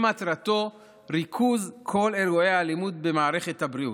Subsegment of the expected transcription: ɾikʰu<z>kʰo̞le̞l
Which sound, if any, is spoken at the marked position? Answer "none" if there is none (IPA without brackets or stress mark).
z